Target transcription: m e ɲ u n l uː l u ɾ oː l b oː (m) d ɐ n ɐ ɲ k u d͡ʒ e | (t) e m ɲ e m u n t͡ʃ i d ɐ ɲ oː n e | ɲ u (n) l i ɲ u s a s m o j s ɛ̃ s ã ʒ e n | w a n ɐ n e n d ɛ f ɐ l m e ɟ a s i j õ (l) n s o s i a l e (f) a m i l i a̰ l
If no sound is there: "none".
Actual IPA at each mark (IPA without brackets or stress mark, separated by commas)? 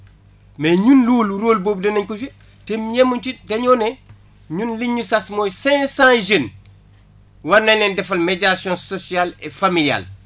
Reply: b, t, n, none, f